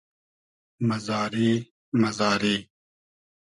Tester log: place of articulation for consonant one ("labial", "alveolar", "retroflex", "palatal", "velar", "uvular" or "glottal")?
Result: labial